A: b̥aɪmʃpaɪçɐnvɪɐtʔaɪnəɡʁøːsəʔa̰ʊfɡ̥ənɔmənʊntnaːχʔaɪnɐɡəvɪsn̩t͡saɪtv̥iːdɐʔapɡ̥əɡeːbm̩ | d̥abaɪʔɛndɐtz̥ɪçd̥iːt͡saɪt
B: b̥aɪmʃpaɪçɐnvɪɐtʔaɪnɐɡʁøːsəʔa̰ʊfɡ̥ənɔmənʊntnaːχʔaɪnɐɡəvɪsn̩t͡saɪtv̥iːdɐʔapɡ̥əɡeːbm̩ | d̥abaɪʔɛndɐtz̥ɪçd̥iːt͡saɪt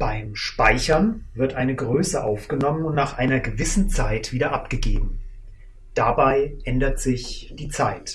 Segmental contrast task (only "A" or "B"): A